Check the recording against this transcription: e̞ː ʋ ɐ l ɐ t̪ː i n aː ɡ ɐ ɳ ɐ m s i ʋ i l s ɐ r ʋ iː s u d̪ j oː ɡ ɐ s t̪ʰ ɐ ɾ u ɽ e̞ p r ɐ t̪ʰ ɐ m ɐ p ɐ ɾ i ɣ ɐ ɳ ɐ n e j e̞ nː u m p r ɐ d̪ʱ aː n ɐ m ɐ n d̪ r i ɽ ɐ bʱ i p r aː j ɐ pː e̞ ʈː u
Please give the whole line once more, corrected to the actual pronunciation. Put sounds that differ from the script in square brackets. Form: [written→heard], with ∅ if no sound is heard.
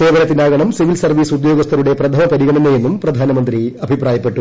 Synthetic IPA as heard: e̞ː ʋ ɐ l ɐ t̪ː i n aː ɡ ɐ ɳ ɐ m s i ʋ i l s ɐ r ʋ iː s u d̪ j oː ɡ ɐ s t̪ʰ ɐ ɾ u ɽ e̞ p r ɐ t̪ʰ ɐ m ɐ p ɐ ɾ i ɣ ɐ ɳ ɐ n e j e̞ nː u m p r ɐ d̪ʱ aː n ɐ m ɐ n d̪ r i [ɽ→∅] ɐ bʱ i p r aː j ɐ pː e̞ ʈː u